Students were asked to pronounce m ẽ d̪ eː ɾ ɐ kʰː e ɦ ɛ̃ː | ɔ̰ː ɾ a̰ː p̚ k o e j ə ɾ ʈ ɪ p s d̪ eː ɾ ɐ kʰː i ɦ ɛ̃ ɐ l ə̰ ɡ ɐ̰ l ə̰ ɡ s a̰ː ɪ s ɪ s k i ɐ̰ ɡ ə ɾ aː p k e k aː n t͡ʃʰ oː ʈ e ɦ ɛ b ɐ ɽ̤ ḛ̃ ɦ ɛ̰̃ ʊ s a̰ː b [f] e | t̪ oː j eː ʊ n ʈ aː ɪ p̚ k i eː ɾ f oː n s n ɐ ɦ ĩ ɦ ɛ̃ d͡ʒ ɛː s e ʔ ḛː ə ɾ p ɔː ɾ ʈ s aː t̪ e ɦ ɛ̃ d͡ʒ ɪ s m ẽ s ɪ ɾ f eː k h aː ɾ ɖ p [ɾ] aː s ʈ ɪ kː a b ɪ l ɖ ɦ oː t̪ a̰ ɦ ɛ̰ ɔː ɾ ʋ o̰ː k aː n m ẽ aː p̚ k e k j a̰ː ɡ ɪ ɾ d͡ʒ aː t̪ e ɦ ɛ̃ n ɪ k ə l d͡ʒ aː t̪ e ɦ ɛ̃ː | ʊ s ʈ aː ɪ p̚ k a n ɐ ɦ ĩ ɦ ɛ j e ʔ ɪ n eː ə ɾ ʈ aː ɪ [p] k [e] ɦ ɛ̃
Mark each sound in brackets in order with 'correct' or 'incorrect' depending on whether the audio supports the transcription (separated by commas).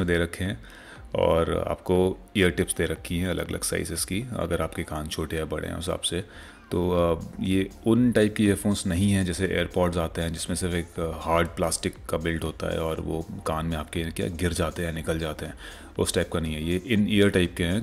incorrect, incorrect, correct, correct